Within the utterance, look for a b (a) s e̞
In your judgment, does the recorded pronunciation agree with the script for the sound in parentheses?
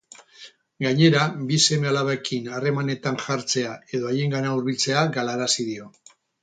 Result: no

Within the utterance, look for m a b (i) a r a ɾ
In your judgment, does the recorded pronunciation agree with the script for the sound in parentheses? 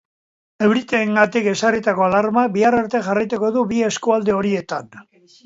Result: yes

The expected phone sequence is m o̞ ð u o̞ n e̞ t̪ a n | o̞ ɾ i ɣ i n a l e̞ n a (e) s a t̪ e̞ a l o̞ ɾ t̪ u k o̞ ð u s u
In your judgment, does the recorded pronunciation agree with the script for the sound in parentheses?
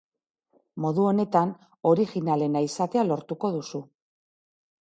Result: no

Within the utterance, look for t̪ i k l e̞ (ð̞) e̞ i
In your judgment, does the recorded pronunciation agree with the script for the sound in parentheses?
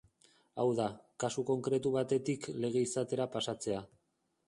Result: no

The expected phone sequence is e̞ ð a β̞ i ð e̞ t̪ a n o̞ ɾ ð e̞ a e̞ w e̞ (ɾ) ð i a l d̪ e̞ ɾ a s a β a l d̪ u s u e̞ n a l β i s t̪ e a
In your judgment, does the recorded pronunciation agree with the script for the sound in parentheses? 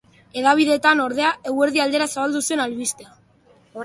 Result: yes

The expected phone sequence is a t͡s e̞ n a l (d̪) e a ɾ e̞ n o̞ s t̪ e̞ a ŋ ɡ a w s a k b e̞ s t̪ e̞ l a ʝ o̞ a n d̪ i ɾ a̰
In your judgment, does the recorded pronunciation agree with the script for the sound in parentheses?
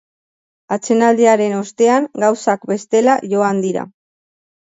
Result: yes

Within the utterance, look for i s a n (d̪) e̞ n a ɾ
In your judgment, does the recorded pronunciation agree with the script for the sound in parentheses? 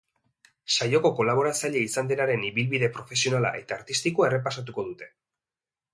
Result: yes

